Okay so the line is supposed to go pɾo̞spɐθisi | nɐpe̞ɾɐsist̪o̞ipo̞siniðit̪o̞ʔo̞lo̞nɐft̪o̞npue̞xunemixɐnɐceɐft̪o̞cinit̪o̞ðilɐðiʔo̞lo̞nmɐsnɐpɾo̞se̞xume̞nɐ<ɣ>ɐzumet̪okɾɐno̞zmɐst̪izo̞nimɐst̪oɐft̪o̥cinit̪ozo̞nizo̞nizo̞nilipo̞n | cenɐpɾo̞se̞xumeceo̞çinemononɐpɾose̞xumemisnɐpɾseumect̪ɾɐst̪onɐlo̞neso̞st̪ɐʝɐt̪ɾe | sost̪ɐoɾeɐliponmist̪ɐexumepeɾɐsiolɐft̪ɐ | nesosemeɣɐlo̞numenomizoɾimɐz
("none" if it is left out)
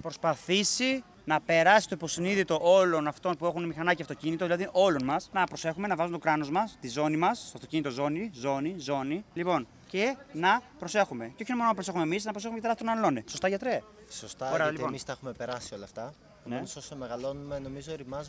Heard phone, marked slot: v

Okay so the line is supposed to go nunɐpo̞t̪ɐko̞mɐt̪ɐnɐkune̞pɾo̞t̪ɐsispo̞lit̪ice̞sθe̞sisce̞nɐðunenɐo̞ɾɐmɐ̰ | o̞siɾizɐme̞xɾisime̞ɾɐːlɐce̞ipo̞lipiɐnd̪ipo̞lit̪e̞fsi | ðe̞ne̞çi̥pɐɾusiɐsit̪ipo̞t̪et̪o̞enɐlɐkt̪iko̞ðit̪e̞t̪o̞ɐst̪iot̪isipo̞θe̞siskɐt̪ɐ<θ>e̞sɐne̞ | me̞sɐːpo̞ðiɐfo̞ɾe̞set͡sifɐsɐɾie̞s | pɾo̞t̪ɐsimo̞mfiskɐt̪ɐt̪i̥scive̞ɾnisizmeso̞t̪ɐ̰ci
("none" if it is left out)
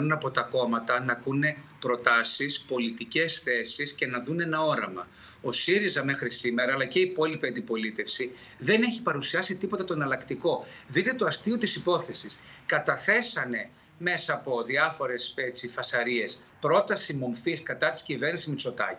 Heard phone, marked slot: θ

